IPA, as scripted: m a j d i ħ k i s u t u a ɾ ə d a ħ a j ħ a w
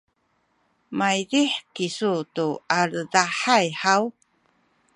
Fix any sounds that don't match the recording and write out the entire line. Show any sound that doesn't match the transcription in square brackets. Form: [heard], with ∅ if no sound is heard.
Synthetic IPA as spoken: m a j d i ħ k i s u t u a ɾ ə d a ħ a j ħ a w